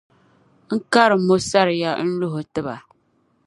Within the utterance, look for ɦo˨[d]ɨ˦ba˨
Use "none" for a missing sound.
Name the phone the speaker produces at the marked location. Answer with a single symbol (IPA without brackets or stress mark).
t